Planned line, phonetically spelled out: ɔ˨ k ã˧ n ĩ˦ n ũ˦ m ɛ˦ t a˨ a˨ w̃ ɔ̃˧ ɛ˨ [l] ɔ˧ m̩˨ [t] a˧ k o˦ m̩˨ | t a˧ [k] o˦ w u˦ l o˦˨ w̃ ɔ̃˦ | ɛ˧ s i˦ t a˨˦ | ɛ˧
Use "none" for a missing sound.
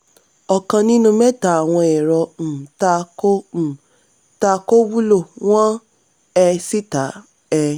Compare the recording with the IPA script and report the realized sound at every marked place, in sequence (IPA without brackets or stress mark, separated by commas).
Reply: ɾ, t, k